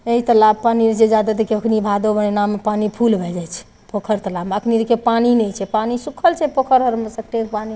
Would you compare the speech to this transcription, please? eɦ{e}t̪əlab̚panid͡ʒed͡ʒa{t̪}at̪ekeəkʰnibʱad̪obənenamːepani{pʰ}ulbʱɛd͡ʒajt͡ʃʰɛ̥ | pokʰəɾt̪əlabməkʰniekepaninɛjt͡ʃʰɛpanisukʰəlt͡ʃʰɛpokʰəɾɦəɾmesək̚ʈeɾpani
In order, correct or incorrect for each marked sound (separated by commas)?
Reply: incorrect, incorrect, correct